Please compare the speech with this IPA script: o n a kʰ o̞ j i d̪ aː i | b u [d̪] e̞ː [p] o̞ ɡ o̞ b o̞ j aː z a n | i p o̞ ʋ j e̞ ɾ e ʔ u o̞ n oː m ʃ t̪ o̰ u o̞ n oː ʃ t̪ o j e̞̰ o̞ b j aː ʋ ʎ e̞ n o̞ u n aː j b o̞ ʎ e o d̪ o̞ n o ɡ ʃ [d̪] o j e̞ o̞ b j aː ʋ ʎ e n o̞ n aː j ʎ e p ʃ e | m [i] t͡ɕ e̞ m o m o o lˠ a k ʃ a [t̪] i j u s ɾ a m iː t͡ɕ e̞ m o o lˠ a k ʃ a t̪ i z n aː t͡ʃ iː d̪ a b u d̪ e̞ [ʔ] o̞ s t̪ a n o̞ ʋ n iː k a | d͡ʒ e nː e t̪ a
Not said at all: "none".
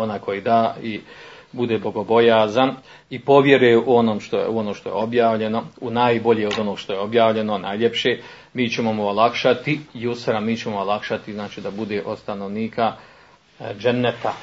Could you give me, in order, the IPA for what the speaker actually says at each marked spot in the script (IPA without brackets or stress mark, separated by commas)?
d̪, b, t̪, iː, t̪, ʔ